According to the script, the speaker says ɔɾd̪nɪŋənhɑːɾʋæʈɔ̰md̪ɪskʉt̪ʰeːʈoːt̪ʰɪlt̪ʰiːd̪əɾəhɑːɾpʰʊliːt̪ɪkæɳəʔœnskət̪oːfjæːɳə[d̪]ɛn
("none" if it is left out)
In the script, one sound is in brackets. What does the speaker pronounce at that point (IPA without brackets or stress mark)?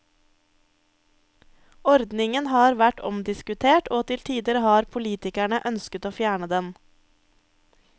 d̪